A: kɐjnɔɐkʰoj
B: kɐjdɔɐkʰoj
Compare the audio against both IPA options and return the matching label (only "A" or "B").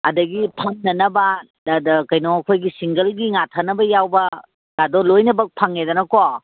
A